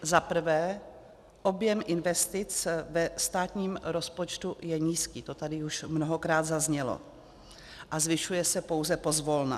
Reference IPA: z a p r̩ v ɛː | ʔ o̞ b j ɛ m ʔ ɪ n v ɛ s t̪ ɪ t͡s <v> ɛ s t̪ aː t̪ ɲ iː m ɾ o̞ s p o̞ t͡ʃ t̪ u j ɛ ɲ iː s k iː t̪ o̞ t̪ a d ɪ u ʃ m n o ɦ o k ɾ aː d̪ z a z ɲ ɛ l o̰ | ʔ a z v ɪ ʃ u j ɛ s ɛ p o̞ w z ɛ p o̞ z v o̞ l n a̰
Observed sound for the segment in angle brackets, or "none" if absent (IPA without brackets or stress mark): v